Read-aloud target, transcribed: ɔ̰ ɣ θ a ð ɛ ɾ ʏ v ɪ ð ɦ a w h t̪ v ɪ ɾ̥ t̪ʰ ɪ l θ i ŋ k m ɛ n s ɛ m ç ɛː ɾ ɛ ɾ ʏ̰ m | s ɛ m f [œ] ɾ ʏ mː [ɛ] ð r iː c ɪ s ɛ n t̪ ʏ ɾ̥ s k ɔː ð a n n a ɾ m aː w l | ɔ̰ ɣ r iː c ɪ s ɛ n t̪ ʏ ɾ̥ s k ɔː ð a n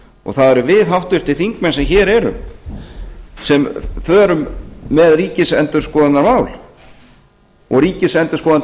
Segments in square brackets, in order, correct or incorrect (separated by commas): incorrect, correct